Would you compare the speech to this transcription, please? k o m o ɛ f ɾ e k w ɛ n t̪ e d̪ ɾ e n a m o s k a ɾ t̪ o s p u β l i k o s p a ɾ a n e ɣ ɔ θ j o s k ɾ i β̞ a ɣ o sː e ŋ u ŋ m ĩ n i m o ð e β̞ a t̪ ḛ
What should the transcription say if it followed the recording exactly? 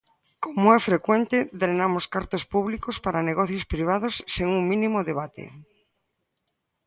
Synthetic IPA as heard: k o m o ɛ f ɾ e k w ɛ n t̪ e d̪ ɾ e n a m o s k a ɾ t̪ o s p u β l i k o s p a ɾ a n e ɣ ɔ θ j o s p ɾ i β̞ a ð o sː e ŋ u ŋ m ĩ n i m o ð e β̞ a t̪ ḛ